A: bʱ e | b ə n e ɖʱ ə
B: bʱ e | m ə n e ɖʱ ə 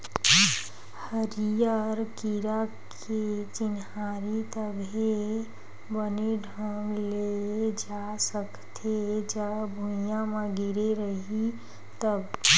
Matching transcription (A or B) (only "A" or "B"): A